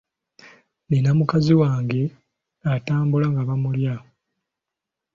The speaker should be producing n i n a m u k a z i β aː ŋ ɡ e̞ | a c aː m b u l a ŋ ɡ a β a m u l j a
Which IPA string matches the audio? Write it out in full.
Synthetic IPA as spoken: n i n a m u k a z i w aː ŋ ɡ e̞ | a t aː m b u l a ŋ ɡ a β a m u l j a